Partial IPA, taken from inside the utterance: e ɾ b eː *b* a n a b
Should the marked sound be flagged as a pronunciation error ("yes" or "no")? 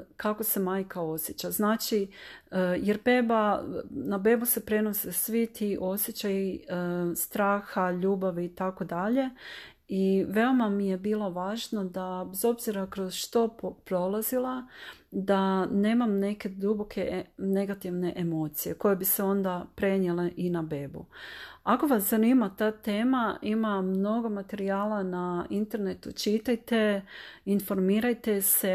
no